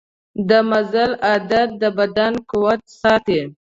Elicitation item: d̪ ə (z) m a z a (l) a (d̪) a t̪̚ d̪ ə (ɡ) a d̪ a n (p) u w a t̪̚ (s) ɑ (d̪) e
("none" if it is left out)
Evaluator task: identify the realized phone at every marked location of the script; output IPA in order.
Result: none, l, d̪, b, k, s, t̪

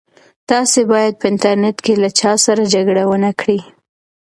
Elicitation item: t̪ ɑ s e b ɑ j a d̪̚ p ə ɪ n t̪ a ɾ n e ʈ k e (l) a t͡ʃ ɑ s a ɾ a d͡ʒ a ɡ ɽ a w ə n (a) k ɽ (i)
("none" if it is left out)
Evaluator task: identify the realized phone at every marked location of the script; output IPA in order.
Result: l, a, i

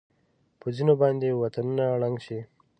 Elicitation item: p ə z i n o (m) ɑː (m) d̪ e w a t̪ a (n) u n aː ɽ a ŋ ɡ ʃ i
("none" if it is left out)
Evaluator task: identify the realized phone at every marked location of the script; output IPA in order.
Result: b, n, n

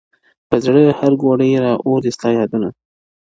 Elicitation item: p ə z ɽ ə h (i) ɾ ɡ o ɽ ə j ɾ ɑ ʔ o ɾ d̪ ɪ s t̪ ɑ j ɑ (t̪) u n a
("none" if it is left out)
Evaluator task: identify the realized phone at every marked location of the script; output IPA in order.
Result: a, d̪

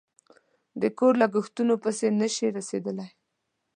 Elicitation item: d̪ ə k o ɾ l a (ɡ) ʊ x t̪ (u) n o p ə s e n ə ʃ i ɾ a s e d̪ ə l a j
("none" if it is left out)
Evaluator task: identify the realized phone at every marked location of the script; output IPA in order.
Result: ɡ, u

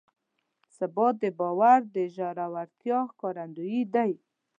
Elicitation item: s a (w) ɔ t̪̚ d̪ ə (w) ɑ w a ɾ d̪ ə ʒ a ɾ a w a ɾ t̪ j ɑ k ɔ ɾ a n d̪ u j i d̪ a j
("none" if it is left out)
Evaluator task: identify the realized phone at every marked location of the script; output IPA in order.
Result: b, b

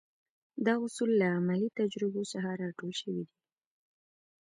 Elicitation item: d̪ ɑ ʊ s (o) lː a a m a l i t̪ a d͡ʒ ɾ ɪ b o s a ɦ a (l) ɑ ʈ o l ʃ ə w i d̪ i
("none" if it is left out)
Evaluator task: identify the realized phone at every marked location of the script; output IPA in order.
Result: u, ɾ

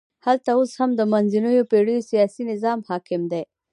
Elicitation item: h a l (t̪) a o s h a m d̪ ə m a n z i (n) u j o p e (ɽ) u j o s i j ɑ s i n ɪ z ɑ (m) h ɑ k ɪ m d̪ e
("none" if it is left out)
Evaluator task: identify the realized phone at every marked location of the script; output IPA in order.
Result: t̪, n, ɽ, m

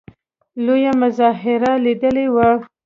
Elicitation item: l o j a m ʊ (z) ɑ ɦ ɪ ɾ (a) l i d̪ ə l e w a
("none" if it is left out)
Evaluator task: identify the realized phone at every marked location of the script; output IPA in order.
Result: z, a

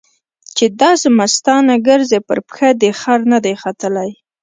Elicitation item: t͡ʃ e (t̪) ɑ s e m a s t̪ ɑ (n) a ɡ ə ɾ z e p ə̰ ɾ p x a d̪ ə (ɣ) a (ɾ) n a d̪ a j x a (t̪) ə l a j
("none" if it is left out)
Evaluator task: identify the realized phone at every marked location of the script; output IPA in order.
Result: d̪, n, x, ɾ, t̪

